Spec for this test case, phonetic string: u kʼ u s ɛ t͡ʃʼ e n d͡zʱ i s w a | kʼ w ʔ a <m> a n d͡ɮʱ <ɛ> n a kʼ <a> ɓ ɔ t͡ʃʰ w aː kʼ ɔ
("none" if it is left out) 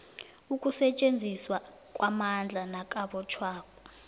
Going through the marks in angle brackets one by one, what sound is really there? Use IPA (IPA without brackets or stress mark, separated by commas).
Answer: m, a, a